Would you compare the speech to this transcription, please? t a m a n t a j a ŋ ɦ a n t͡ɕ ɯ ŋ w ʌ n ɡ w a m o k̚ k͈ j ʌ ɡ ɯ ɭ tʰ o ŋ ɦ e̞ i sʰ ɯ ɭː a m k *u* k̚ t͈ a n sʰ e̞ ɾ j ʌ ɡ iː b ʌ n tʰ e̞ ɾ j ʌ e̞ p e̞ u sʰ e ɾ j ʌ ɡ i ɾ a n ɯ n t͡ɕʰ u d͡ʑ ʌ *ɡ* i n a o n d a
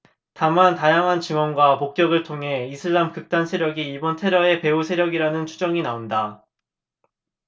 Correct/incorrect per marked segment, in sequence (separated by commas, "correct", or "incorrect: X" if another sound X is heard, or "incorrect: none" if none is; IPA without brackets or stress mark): incorrect: ɯ, incorrect: ŋ